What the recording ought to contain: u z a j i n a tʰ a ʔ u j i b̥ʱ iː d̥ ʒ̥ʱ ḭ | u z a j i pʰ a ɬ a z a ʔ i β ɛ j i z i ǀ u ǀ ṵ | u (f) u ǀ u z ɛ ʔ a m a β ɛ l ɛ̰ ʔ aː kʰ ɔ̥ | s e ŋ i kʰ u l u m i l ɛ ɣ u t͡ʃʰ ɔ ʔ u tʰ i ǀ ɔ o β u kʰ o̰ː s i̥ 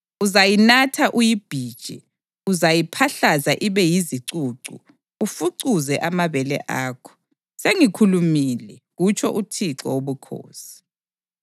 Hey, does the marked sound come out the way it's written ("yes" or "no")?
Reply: yes